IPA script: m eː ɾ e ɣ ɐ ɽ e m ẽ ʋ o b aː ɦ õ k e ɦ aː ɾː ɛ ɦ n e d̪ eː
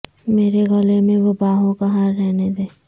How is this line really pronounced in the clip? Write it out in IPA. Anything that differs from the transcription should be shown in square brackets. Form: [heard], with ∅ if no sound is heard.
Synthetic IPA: m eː ɾ e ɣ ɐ [l] e m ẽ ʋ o b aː ɦ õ k [a] ɦ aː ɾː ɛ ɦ n e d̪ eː